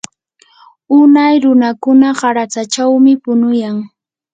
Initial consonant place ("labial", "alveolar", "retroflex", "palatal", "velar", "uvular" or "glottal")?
alveolar